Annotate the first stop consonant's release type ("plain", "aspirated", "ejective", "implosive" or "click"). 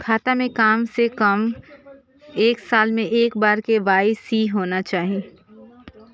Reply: aspirated